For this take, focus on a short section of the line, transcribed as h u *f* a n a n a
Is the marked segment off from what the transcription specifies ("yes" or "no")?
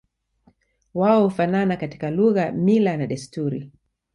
no